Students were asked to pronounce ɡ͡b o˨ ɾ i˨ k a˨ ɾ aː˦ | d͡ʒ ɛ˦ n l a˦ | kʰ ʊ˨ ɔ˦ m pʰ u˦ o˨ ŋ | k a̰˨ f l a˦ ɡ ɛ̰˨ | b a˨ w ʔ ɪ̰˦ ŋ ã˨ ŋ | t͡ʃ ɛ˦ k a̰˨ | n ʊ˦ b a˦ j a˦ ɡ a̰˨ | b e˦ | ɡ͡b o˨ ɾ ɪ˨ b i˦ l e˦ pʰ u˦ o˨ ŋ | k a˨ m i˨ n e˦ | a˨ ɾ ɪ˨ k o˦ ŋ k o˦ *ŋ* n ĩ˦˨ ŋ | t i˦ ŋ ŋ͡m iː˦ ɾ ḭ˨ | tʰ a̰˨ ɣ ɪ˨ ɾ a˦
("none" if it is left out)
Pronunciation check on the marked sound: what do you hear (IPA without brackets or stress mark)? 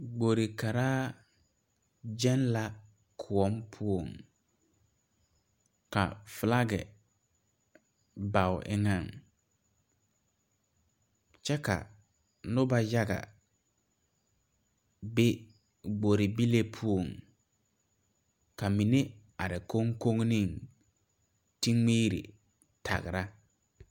ŋ